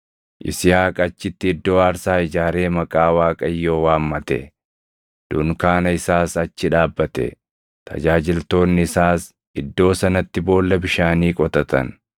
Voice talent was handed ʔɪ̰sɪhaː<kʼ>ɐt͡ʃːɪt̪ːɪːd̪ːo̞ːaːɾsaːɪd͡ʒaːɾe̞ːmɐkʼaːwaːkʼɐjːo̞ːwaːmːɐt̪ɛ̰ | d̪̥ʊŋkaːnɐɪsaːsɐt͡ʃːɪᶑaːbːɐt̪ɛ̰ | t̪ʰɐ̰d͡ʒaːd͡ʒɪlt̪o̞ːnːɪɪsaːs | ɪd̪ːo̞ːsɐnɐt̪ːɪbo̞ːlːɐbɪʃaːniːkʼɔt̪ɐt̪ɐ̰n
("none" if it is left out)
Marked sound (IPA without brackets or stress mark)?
kʼ